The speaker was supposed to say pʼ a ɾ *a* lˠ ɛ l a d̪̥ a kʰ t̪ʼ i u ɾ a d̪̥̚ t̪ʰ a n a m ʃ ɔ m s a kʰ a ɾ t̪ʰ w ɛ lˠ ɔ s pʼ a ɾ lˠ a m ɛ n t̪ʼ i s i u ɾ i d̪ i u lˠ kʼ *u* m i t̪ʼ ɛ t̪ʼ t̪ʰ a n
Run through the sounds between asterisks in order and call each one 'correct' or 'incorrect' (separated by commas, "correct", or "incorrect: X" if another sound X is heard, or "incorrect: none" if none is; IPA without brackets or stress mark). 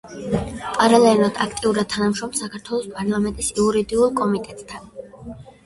correct, incorrect: ɔ